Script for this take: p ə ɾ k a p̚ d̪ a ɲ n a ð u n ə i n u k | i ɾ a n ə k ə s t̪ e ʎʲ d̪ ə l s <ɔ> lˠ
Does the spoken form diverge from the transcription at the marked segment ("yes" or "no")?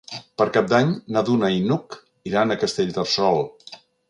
no